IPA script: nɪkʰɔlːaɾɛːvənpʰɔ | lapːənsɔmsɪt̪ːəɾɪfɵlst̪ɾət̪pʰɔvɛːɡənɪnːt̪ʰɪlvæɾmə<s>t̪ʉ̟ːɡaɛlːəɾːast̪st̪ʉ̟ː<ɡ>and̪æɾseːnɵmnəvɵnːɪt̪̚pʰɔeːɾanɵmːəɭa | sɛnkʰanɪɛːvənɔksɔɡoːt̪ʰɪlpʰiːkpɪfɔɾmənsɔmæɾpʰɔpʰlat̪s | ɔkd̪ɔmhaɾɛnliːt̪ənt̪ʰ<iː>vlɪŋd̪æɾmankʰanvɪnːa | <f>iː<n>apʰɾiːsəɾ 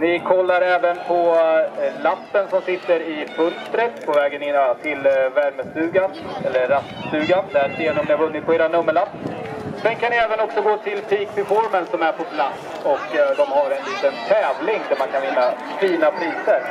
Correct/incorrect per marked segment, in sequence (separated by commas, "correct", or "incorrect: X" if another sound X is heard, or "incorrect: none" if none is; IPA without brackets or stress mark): correct, correct, incorrect: ɛː, correct, correct